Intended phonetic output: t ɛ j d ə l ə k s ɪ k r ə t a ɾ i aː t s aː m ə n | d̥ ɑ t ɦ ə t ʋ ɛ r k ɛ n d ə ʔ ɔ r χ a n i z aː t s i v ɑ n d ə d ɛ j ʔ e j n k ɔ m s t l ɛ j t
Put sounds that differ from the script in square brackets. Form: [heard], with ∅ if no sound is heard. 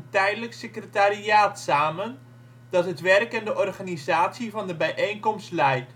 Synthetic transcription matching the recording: t ɛ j d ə l ə k s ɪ k r ə t a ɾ i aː t s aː m ə n | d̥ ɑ t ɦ ə t ʋ ɛ r k ɛ n d ə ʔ ɔ r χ a n i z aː t s i v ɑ n d ə [b] ɛ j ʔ e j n k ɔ m s t l ɛ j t